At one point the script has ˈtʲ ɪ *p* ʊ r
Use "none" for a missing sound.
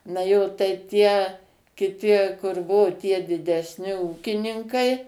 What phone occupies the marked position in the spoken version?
k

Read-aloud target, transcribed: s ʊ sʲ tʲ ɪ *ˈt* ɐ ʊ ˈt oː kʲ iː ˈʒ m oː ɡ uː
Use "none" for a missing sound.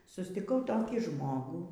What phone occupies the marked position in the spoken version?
k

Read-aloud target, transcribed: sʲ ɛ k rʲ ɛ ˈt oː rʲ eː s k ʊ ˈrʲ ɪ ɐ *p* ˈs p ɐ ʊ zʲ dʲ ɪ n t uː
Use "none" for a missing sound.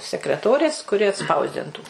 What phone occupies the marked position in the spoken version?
t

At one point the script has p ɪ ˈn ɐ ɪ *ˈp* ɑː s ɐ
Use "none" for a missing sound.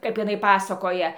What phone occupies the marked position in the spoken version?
p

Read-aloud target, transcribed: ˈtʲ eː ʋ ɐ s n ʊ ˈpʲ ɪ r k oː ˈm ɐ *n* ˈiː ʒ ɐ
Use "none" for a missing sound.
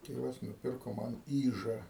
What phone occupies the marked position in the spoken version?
n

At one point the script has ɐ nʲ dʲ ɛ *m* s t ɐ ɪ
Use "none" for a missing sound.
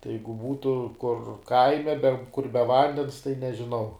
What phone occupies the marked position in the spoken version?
n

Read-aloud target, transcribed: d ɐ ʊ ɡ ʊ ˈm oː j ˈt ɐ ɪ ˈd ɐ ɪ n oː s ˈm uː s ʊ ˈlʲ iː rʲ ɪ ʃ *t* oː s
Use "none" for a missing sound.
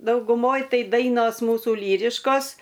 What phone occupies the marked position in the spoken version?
k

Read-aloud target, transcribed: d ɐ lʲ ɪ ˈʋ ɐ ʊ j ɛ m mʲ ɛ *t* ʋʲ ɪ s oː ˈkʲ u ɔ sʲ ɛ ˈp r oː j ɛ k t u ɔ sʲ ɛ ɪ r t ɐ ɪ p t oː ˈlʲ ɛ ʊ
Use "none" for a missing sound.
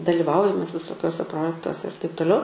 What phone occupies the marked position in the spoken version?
s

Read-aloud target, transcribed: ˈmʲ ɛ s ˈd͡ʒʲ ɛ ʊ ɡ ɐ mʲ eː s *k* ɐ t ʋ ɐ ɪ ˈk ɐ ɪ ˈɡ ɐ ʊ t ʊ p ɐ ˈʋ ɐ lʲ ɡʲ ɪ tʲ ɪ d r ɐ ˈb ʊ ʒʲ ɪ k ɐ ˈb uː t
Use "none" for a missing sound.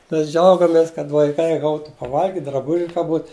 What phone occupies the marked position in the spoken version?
k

